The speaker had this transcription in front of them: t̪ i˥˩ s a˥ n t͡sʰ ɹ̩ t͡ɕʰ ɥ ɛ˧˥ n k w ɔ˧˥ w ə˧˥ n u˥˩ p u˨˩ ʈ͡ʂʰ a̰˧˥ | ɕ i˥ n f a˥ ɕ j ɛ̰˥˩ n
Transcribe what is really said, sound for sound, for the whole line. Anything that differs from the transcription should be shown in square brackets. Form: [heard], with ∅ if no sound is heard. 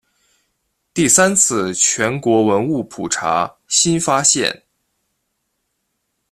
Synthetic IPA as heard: t̪ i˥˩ s a˥ n t͡sʰ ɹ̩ t͡ɕʰ ɥ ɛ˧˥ n k w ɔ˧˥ w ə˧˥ n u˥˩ [pʰ] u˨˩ ʈ͡ʂʰ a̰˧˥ | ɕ i˥ n f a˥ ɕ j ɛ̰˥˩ n